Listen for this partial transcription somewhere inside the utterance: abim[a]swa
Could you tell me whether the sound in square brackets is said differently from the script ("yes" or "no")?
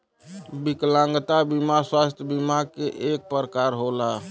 no